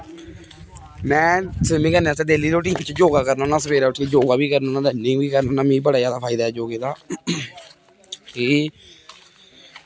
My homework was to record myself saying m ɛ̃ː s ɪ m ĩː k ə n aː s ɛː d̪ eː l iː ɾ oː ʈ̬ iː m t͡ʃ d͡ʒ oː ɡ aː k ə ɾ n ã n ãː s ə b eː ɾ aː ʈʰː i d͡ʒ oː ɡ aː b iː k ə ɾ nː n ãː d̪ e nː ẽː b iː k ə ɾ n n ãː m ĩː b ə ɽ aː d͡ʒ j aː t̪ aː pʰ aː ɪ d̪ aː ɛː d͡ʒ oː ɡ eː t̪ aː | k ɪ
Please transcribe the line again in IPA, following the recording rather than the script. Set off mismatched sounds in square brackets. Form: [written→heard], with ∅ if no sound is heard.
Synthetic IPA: m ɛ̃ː s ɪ m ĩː k ə n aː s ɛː d̪ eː l iː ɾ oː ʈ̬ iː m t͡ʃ d͡ʒ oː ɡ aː k ə ɾ n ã n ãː s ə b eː ɾ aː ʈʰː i d͡ʒ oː ɡ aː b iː k ə ɾ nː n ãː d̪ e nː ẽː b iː k ə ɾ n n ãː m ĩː b ə ɽ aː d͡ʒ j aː [t̪→d̪] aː pʰ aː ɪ d̪ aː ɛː d͡ʒ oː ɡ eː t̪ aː | k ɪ